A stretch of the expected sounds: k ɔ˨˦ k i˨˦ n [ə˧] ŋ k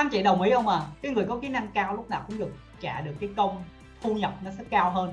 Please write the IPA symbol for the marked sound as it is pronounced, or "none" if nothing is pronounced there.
a˧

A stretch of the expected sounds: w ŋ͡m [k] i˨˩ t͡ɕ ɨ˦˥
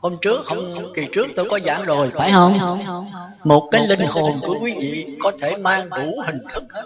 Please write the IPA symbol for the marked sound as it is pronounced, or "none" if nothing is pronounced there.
k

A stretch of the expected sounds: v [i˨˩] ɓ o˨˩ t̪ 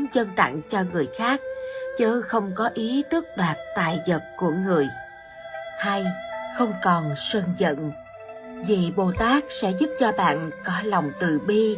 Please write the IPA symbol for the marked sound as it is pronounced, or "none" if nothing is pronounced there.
i˨˩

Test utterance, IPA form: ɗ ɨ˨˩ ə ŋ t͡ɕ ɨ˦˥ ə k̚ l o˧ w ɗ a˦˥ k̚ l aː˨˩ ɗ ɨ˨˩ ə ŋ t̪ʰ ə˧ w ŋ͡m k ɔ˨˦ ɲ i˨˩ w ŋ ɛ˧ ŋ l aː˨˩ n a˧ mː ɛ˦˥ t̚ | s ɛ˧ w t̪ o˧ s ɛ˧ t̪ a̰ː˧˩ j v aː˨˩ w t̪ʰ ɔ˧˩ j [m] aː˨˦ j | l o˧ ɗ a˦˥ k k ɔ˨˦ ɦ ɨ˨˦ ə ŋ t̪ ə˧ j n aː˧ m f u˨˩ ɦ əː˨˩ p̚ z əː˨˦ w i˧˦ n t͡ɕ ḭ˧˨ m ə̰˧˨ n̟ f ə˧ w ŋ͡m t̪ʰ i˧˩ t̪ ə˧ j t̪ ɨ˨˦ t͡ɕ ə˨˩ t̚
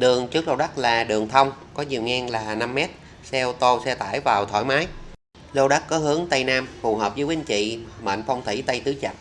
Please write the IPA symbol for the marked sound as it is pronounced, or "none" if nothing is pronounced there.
m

